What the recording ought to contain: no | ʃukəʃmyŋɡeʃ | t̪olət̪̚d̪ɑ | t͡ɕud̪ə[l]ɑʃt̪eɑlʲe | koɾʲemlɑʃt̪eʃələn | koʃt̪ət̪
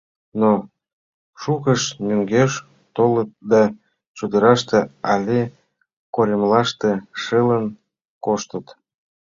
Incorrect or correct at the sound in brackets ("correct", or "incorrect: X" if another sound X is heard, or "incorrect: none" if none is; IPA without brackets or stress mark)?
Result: incorrect: ɾ